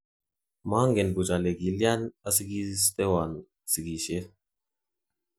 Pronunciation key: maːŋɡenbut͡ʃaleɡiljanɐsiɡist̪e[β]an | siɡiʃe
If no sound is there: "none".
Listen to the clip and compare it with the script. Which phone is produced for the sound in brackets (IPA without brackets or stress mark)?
w